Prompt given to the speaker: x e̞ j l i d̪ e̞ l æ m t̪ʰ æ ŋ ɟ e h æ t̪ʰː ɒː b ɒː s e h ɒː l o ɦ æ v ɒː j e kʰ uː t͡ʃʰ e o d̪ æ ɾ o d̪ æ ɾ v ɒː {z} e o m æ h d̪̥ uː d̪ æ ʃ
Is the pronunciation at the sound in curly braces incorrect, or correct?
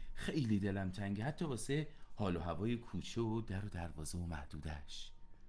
correct